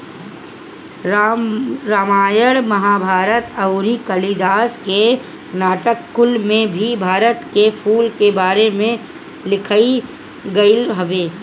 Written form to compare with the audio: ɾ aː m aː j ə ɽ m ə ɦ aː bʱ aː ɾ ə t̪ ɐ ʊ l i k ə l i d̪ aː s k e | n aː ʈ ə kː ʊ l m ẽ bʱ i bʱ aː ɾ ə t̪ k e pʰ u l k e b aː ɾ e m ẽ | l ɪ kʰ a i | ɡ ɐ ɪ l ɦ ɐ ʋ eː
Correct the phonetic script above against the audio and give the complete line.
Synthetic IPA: ɾ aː m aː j ə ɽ m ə ɦ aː bʱ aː ɾ ə t̪ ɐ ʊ ɾ i k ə l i d̪ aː s k e | n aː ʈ ə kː ʊ l m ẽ bʱ i bʱ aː ɾ ə t̪ k e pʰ uː l k e b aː ɾ e m ẽ | l ɪ kʰ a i | ɡ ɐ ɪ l ɦ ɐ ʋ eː